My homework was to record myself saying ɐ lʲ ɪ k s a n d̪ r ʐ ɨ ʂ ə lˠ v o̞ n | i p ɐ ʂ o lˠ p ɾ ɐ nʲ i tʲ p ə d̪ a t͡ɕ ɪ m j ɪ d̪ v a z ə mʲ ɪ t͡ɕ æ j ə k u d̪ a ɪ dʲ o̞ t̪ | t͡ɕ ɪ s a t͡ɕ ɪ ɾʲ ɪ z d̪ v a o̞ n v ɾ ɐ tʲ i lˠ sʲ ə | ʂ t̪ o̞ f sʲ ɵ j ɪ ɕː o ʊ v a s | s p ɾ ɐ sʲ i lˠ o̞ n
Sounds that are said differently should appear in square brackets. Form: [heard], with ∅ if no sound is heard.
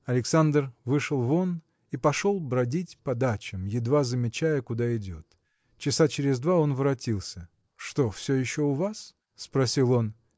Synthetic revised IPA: ɐ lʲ ɪ k s a n d̪ r [v] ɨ ʂ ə lˠ v o̞ n | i p ɐ ʂ o lˠ [b] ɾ ɐ [dʲ] i tʲ p [ɐ] d̪ a t͡ɕ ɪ m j ɪ d̪ v a z ə mʲ ɪ t͡ɕ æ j ə k [ʊ] d̪ a ɪ dʲ o̞ t̪ | t͡ɕ ɪ s a t͡ɕ ɪ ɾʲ ɪ z d̪ v a o̞ n v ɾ ɐ tʲ i lˠ sʲ ə | ʂ t̪ o̞ f sʲ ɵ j ɪ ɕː o ʊ v a s | s p ɾ ɐ sʲ i lˠ o̞ n

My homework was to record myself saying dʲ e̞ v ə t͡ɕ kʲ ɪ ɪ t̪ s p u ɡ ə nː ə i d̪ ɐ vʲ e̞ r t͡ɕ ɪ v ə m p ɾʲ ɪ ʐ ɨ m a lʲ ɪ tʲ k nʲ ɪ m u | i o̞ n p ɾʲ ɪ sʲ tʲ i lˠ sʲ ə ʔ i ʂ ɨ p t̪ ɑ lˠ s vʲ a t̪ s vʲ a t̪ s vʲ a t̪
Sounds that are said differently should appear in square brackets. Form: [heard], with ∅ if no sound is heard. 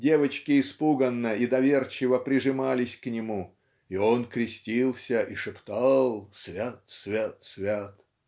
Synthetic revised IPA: dʲ e̞ v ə t͡ɕ kʲ ɪ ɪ [∅] s p u ɡ ə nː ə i d̪ ɐ vʲ e̞ r t͡ɕ ɪ v ə [∅] p ɾʲ ɪ ʐ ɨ m a lʲ ɪ [sʲ] k nʲ ɪ m u | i o̞ n [k] ɾʲ ɪ sʲ tʲ i lˠ sʲ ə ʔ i ʂ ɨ p t̪ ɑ lˠ s vʲ a t̪ s vʲ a t̪ s vʲ a t̪

